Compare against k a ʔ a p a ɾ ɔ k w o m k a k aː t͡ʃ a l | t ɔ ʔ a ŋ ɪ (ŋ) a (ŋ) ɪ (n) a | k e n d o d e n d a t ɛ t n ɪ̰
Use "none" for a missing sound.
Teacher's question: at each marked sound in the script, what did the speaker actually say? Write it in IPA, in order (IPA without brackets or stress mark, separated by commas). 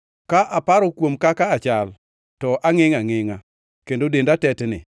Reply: ŋ, ŋ, ŋ